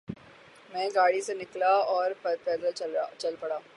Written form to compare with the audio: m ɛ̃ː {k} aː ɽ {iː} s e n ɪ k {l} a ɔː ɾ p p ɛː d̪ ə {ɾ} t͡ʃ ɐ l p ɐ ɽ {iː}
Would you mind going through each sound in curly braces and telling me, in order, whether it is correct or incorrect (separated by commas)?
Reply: incorrect, incorrect, correct, incorrect, incorrect